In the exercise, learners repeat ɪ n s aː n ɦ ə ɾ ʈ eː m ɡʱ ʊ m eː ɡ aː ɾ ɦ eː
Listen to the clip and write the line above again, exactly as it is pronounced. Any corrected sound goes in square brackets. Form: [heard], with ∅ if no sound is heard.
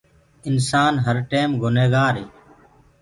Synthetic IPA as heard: ɪ n s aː n ɦ ə ɾ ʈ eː m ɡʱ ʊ [n] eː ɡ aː ɾ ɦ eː